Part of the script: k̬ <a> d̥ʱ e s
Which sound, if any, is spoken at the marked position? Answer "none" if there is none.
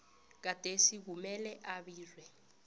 a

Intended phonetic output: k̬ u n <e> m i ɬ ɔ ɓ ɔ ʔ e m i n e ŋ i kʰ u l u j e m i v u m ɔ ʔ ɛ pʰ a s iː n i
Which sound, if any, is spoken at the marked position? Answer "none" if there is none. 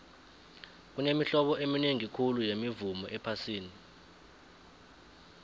e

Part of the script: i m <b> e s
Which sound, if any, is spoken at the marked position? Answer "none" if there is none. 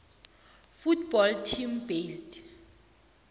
b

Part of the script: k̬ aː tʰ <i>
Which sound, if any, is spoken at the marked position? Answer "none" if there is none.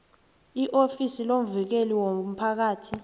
i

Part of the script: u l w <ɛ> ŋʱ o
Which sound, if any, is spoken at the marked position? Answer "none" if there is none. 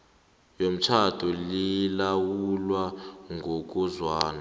a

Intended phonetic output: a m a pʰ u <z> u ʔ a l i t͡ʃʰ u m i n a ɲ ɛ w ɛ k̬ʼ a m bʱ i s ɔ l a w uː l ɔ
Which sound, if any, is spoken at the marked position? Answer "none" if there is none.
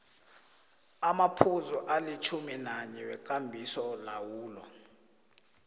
z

